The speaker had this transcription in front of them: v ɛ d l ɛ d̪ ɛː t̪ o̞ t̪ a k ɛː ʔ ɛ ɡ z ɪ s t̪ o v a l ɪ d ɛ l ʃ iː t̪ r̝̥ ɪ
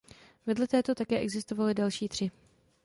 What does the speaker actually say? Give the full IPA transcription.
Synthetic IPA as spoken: v ɛ d l ɛ t̪ ɛː t̪ o̞ t̪ a k ɛː ʔ ɛ ɡ z ɪ s t̪ o v a l ɪ d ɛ l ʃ iː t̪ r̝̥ ɪ